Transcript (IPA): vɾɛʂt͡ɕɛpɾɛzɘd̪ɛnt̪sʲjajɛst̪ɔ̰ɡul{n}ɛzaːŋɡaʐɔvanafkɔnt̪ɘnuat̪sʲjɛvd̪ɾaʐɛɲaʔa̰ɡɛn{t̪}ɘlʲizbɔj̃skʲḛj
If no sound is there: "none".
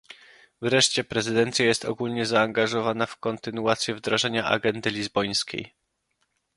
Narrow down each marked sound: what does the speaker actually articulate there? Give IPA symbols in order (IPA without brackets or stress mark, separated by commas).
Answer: ɲ, d̪